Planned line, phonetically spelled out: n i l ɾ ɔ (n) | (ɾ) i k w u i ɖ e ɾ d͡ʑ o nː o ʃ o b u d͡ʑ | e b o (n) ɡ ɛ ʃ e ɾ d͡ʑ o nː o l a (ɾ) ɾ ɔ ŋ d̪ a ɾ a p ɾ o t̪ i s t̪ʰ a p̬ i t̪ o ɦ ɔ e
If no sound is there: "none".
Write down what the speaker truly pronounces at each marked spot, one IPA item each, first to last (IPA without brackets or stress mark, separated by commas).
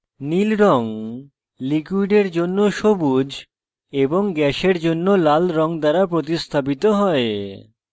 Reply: ŋ, l, ŋ, l